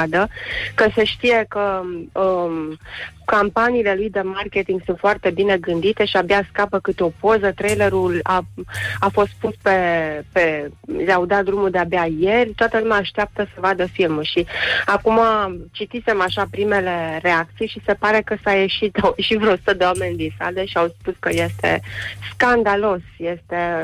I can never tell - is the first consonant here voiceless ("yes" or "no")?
no